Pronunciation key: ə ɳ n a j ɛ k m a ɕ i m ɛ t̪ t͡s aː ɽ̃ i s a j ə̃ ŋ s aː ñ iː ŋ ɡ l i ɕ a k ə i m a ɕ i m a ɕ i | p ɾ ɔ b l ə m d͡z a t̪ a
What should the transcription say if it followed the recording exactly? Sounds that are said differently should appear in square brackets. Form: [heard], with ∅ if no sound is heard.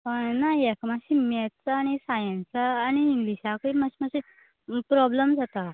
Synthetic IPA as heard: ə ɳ n a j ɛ k m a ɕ i m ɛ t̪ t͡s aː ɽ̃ i s a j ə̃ [n] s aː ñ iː ŋ ɡ l i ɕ a k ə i m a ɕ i m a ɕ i | p ɾ ɔ b l ə m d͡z a t̪ a